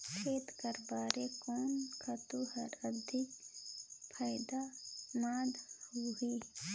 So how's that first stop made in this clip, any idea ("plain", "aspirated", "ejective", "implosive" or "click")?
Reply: aspirated